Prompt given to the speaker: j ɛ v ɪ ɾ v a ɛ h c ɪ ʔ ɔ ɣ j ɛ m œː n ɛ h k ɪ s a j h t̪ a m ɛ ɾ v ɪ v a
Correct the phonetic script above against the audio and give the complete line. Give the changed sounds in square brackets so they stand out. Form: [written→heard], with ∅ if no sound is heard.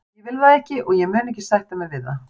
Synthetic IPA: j ɛ v ɪ [ɾ→l] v a ɛ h c ɪ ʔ ɔ ɣ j ɛ m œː n ɛ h [k→c] ɪ s a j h t̪ a m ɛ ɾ v ɪ [v→ð] a